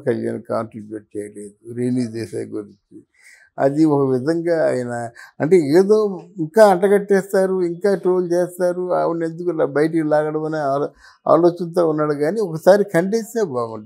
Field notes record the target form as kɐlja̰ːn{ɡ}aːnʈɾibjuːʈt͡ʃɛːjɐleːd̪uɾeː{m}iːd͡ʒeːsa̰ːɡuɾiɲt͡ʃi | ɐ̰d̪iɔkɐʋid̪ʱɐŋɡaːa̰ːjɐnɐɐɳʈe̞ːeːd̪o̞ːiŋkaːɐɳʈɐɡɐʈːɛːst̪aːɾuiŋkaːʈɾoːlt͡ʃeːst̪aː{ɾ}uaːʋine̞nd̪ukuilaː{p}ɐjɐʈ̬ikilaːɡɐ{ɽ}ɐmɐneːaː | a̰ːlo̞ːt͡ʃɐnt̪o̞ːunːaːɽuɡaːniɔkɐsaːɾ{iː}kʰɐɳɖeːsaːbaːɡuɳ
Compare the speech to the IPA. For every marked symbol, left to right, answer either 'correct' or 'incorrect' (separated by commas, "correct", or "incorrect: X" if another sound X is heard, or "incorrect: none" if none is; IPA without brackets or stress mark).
incorrect: k, incorrect: n, correct, incorrect: b, correct, incorrect: i